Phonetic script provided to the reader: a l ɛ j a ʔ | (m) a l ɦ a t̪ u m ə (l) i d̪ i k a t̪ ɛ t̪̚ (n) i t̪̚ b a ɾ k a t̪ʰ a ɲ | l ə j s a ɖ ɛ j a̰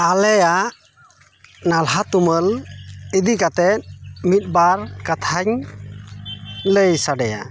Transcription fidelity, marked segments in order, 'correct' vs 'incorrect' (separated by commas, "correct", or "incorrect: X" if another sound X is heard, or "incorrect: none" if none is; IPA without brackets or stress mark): incorrect: n, correct, incorrect: m